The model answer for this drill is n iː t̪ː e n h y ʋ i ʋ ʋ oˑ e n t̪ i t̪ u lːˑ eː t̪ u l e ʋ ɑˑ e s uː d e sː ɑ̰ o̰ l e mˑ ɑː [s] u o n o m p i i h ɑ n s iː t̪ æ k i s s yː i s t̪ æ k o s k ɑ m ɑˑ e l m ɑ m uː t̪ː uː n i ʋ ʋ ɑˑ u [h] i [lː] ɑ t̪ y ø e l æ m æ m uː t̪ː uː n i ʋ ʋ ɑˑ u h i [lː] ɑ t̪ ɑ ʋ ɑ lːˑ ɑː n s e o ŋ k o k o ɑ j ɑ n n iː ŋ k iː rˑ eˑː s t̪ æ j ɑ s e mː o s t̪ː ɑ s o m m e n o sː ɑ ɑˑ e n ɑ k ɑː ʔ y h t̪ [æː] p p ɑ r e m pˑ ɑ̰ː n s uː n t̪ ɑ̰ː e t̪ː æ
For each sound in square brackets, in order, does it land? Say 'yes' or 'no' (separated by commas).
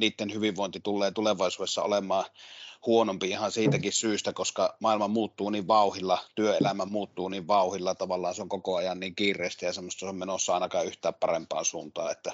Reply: no, yes, yes, yes, yes